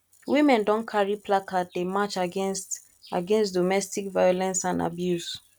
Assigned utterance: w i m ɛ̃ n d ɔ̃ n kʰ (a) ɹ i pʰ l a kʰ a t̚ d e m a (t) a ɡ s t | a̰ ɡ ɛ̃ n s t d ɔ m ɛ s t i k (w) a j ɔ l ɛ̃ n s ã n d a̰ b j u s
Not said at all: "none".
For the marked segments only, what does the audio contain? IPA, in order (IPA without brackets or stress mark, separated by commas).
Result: a, t͡ʃ, v